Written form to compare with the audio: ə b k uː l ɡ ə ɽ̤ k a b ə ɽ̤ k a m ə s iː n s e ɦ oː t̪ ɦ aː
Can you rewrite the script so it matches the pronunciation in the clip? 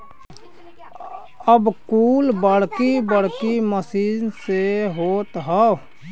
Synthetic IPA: ə b k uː l b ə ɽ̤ k i b ə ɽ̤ k i m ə s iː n s e ɦ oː t̪ ɦ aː